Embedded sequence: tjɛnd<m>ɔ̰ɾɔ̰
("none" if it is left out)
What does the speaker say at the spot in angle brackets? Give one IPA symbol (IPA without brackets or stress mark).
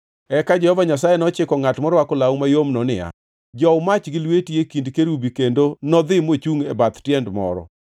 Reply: m